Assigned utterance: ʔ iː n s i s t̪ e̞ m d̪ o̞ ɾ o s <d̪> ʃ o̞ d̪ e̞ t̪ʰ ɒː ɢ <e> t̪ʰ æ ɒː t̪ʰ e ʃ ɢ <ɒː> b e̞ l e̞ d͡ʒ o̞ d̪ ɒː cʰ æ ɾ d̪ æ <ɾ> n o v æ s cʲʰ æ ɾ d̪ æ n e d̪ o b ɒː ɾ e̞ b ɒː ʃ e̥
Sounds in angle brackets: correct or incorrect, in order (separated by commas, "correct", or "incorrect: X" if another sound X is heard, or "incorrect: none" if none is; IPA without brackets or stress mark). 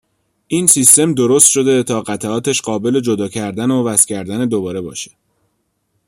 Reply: incorrect: t̪, incorrect: æ, correct, incorrect: none